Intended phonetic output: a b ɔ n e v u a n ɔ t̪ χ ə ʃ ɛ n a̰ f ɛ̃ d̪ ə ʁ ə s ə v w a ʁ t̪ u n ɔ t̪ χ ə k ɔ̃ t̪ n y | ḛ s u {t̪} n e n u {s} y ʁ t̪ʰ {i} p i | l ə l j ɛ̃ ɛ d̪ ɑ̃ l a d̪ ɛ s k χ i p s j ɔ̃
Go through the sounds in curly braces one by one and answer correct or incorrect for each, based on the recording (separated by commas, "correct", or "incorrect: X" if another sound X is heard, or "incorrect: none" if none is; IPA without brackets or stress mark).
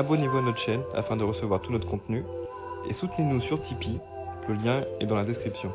correct, correct, correct